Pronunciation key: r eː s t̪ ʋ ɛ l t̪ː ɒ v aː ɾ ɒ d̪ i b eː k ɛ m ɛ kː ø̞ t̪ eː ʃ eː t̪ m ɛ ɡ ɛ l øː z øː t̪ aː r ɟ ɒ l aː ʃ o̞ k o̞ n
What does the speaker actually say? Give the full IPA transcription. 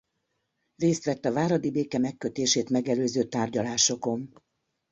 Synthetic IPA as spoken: r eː s t̪ ʋ ɛ t̪ː ɒ v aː ɾ ɒ d̪ i b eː k ɛ m ɛ kː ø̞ t̪ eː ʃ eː t̪ m ɛ ɡ ɛ l øː z øː t̪ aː r ɟ ɒ l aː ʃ o̞ k o̞ n